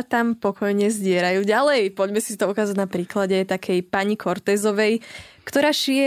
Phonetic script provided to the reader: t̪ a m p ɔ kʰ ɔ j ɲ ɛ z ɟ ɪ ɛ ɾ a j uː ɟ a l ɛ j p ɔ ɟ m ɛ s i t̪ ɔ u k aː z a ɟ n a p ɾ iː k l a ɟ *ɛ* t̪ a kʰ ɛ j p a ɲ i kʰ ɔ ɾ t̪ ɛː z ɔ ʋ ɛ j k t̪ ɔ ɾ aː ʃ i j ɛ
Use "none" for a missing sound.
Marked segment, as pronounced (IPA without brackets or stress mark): ɛ